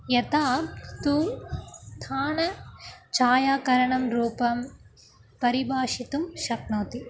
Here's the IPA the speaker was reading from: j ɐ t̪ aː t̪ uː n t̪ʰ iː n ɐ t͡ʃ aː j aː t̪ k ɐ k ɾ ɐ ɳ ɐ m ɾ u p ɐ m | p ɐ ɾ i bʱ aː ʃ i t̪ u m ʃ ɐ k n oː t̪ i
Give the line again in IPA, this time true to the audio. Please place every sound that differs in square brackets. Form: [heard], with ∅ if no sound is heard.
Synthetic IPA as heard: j ɐ t̪ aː t̪ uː [m] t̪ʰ [aː] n ɐ t͡ʃ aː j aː [∅] k ɐ [∅] ɾ ɐ ɳ ɐ m ɾ [uː] p ɐ m | p ɐ ɾ i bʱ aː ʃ i t̪ u m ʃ ɐ k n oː t̪ i

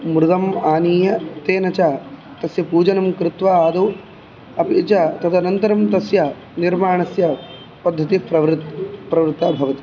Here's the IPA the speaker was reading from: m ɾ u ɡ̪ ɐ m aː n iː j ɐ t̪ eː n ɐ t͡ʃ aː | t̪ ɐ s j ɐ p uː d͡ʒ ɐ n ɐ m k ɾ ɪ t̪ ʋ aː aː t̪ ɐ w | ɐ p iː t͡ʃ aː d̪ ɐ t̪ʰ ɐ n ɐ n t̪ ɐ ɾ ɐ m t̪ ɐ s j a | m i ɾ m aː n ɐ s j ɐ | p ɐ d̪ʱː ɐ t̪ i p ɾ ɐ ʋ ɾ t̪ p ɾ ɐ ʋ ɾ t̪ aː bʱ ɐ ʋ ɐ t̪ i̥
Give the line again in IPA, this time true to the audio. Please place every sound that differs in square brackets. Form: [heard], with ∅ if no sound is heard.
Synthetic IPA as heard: m ɾ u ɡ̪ ɐ m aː n iː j ɐ t̪ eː n ɐ t͡ʃ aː | t̪ ɐ s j ɐ p uː d͡ʒ ɐ n ɐ m k ɾ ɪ t̪ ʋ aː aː [d̪] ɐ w | ɐ p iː t͡ʃ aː [t̪] ɐ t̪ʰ ɐ n ɐ n t̪ ɐ ɾ ɐ m t̪ ɐ s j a | [n] i ɾ m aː [ɳ] ɐ s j ɐ | p ɐ d̪ʱː ɐ t̪ i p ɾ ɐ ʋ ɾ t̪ p ɾ ɐ ʋ ɾ t̪ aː bʱ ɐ ʋ ɐ t̪ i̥

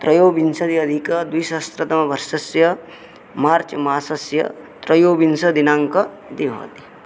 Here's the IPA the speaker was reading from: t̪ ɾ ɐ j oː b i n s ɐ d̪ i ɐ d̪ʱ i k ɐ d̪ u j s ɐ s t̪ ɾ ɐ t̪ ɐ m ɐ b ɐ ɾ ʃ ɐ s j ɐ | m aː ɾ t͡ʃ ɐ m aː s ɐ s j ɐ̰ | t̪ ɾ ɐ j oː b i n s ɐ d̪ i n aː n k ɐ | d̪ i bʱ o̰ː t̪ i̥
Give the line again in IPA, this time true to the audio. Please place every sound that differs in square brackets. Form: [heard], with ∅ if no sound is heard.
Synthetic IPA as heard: t̪ ɾ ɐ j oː b i n s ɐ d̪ i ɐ d̪ʱ i k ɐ d̪ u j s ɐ s t̪ ɾ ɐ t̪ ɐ m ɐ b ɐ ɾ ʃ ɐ s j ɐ | m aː ɾ t͡ʃ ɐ m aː s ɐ s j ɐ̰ | t̪ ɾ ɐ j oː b i n s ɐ d̪ i n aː [ŋ] k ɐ | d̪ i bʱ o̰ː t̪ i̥

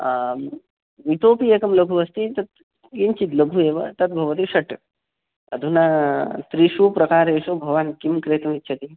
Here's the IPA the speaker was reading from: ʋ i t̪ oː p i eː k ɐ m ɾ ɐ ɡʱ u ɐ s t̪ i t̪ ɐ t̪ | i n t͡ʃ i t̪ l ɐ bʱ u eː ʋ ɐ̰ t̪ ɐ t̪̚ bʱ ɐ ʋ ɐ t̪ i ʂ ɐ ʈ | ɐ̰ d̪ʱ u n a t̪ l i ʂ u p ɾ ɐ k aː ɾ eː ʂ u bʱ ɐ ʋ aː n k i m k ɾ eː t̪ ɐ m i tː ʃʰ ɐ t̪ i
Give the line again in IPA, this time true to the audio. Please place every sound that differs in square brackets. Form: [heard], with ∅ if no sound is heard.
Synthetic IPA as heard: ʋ i t̪ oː p i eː k ɐ m [l] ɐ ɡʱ u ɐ s t̪ i t̪ ɐ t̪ | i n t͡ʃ i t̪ l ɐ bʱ u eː ʋ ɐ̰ t̪ ɐ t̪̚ bʱ ɐ ʋ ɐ t̪ i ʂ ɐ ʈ | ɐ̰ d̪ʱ u n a t̪ [ɾ] i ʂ u p ɾ ɐ k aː ɾ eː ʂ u bʱ ɐ ʋ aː n k i m k ɾ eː t̪ ɐ m i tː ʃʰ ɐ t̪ i

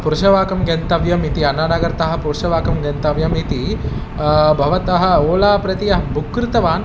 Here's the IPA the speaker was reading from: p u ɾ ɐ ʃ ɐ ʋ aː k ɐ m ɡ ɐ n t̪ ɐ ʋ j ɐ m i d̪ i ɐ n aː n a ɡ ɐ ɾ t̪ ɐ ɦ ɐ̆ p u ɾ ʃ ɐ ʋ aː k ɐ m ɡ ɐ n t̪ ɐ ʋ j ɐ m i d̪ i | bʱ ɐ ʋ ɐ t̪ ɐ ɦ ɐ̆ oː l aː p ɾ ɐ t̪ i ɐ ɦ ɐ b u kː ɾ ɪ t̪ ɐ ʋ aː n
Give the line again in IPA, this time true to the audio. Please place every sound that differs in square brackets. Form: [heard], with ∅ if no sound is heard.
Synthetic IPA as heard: p u ɾ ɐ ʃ ɐ ʋ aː k ɐ m ɡ ɐ n t̪ ɐ ʋ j ɐ m i [t̪] i ɐ n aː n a ɡ ɐ ɾ t̪ ɐ ɦ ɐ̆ p u ɾ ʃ ɐ ʋ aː k ɐ m ɡ ɐ n t̪ ɐ ʋ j ɐ m i [t̪] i | bʱ ɐ ʋ ɐ t̪ ɐ ɦ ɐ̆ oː l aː p ɾ ɐ t̪ i ɐ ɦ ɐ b u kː ɾ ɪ t̪ ɐ ʋ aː n

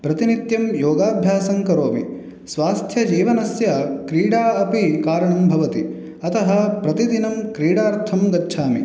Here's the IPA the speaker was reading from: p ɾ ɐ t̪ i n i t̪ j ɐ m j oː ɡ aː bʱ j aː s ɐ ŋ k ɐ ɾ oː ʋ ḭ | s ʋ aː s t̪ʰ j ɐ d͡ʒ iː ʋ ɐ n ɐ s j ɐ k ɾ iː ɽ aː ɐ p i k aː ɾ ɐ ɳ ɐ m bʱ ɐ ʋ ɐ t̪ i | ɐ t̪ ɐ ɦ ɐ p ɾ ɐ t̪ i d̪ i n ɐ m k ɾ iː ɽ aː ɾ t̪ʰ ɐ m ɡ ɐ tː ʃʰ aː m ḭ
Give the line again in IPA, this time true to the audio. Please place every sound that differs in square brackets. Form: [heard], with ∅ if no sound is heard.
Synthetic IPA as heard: p ɾ ɐ t̪ i n i t̪ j ɐ m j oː ɡ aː bʱ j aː s ɐ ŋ k ɐ ɾ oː ʋ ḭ | s ʋ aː s t̪ʰ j ɐ d͡ʒ iː ʋ ɐ n ɐ s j ɐ k ɾ iː ɽ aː ɐ p i k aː ɾ ɐ ɳ ɐ m bʱ ɐ ʋ ɐ t̪ i | ɐ t̪ ɐ ɦ ɐ p ɾ ɐ t̪ i d̪ i n ɐ m k ɾ iː ɽ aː ɾ t̪ʰ ɐ m ɡ ɐ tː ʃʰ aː m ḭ

